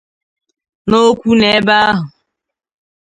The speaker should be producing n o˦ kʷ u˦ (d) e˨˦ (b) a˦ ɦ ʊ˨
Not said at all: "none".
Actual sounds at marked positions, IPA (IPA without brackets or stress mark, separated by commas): n, b